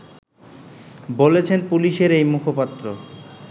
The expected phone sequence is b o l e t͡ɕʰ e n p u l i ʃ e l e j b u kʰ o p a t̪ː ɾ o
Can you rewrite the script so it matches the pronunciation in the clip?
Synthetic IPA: b o l e t͡ɕʰ e n p u l i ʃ e ɾ e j m u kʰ o p a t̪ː ɾ o